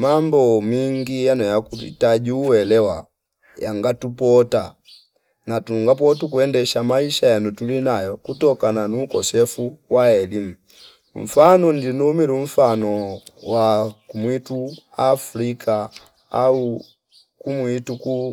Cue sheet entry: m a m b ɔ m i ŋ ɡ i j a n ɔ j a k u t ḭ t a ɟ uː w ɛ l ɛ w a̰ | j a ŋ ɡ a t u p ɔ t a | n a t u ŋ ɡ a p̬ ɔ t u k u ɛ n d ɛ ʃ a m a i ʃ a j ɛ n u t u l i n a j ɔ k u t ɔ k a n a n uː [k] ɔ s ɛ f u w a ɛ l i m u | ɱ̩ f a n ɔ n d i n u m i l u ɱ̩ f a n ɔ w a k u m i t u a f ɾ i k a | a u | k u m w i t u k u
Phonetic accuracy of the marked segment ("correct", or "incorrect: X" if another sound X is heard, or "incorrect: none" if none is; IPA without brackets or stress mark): correct